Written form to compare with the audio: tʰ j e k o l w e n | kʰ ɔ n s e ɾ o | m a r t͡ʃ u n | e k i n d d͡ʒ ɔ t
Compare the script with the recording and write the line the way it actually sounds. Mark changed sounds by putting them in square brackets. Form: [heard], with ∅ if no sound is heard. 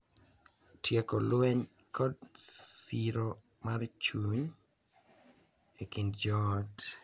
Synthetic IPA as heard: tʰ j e k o l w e [ɲ] | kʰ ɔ [d] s [i] ɾ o | m a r t͡ʃ u [ɲ] | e k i n d d͡ʒ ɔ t